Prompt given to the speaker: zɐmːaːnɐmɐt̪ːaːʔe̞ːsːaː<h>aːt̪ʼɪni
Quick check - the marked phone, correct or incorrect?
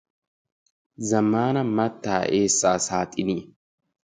incorrect